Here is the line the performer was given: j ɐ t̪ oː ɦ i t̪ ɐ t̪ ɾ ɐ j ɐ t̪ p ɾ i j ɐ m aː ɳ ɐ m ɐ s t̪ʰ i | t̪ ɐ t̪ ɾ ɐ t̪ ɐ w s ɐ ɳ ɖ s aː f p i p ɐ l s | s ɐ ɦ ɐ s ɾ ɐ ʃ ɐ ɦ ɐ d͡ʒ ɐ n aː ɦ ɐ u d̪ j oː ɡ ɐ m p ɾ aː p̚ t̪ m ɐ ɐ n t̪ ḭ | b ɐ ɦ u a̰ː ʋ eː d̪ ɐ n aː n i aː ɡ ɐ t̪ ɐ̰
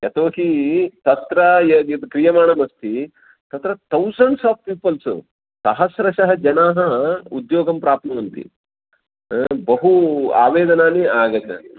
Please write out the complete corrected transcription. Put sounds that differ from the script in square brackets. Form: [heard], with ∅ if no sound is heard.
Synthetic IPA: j ɐ t̪ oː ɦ i t̪ ɐ t̪ ɾ ɐ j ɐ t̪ [k] ɾ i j ɐ m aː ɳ ɐ m ɐ s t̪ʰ i | t̪ ɐ t̪ ɾ ɐ t̪ ɐ w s ɐ ɳ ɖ s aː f p [iː] p ɐ l s | s ɐ ɦ ɐ s ɾ ɐ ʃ ɐ ɦ ɐ d͡ʒ ɐ n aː ɦ ɐ u d̪ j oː ɡ ɐ m p ɾ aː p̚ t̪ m ɐ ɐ n t̪ ḭ | b ɐ ɦ u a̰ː ʋ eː d̪ ɐ n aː n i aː ɡ ɐ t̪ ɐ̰